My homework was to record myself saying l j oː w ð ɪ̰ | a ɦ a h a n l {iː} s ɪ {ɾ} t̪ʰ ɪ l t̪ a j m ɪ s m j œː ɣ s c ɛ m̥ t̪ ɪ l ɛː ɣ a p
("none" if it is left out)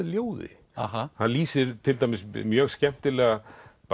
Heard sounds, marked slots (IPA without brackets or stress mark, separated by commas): iː, ɾ